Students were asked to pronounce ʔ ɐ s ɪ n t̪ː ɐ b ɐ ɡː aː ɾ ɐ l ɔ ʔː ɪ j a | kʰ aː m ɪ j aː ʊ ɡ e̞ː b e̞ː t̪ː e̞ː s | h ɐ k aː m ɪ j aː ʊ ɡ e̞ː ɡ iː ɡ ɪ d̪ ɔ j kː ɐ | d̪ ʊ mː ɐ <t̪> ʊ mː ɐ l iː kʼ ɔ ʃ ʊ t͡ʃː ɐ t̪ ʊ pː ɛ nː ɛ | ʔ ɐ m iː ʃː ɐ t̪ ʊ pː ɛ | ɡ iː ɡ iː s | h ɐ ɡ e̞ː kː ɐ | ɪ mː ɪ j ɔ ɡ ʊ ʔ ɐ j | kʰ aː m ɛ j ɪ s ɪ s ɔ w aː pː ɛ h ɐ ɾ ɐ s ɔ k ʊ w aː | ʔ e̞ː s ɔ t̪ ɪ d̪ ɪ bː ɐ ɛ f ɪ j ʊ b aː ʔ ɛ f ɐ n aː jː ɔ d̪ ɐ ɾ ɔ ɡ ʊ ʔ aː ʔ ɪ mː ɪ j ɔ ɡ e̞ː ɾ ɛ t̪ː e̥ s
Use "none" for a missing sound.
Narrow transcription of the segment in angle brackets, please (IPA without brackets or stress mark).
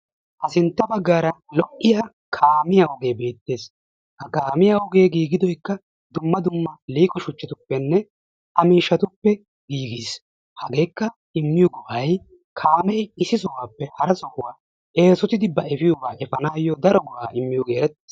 d̪